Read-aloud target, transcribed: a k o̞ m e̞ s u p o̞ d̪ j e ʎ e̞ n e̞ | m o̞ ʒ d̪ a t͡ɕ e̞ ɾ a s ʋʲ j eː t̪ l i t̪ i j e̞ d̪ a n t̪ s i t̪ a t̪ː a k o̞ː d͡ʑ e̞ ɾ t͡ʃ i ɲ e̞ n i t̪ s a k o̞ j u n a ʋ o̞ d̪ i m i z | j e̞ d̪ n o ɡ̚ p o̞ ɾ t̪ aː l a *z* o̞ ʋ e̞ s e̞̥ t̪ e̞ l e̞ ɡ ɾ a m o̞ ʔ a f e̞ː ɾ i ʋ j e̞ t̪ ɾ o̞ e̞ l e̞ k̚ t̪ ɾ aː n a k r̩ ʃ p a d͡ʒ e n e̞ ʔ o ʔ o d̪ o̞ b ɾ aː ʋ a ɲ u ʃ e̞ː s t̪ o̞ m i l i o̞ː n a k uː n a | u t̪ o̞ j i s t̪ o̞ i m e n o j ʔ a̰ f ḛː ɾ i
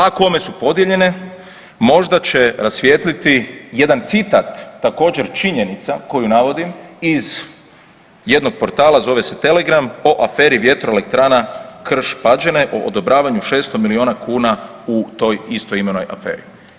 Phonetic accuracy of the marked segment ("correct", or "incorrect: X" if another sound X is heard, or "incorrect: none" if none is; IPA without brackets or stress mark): correct